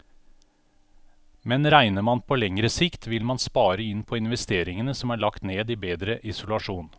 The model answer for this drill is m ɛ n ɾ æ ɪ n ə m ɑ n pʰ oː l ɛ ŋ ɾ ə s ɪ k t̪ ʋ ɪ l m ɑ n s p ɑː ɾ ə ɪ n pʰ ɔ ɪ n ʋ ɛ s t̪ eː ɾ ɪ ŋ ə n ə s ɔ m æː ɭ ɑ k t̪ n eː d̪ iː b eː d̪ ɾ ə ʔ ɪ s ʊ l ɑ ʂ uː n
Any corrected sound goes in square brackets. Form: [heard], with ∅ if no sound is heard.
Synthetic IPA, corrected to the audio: m ɛ n ɾ æ ɪ n ə m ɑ n pʰ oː l ɛ ŋ ɾ ə s ɪ k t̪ ʋ ɪ l m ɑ n s p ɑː ɾ ə ɪ n pʰ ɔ ɪ n ʋ ɛ s t̪ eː ɾ ɪ ŋ ə n ə s ɔ m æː ɭ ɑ k t̪ n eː d̪ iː b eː d̪ ɾ ə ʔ ɪ s ʊ l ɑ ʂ uː n